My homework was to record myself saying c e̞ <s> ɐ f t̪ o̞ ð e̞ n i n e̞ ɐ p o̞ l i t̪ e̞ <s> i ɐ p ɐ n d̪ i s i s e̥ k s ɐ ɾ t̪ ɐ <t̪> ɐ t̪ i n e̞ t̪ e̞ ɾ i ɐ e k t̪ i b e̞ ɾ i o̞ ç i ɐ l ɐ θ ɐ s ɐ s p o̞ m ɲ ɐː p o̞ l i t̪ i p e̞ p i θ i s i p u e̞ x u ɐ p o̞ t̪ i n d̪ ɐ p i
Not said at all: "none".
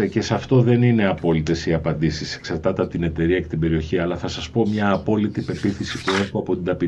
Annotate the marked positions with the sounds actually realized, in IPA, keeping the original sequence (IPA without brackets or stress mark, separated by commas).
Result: s, s, t̪